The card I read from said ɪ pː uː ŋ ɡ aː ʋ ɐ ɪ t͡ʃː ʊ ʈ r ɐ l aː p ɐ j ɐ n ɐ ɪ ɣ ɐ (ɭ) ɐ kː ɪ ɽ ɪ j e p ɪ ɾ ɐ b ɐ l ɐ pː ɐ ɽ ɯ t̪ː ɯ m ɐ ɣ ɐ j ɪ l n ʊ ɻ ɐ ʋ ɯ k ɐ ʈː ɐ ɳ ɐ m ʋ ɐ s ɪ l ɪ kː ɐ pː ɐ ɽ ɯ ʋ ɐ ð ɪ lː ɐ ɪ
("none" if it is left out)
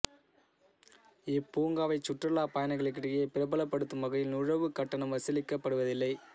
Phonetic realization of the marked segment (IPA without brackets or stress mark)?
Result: ɭ